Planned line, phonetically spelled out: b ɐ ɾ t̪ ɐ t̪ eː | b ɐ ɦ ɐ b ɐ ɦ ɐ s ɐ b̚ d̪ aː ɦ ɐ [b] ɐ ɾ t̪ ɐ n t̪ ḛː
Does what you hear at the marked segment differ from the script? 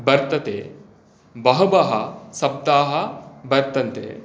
no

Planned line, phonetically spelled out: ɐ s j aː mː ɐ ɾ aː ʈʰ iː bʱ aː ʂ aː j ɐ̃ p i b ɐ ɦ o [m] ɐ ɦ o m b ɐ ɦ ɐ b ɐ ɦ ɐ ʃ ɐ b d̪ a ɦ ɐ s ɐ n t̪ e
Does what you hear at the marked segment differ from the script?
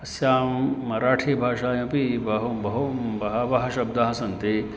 yes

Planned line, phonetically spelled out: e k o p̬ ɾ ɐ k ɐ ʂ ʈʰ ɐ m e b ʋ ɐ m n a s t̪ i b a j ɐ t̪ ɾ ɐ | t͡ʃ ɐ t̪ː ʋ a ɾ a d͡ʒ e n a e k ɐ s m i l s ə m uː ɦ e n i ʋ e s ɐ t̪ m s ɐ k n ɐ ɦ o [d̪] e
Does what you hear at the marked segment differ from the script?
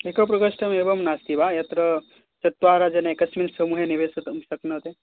yes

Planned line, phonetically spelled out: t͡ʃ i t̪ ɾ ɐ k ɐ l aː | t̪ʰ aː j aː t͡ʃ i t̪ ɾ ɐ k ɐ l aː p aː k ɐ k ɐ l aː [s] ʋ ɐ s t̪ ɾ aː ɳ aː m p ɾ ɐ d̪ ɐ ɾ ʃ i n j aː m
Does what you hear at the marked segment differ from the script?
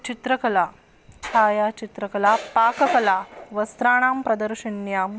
yes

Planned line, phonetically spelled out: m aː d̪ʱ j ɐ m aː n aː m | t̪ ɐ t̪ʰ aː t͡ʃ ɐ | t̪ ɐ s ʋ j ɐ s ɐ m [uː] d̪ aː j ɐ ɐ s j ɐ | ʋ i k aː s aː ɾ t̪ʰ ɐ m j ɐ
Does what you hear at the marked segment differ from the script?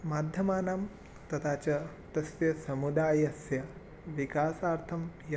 yes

